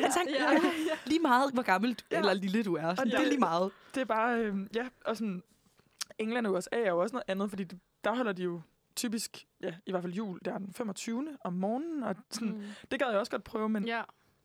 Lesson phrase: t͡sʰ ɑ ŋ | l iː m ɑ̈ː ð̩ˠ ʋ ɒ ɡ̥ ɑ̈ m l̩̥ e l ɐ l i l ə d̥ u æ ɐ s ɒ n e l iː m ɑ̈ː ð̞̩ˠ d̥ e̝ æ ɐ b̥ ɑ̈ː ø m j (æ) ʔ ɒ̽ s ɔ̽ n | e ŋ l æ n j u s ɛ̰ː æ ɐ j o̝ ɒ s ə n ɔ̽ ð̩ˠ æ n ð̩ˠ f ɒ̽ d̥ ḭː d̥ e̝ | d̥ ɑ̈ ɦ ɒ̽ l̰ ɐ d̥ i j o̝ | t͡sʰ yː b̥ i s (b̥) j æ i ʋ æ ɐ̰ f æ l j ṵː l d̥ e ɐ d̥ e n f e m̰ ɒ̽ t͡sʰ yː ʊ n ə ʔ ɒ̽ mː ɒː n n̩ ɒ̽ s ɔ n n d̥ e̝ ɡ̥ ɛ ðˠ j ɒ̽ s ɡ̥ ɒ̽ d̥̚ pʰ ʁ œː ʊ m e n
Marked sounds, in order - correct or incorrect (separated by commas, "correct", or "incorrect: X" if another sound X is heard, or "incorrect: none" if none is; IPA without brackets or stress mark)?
correct, incorrect: ɡ̥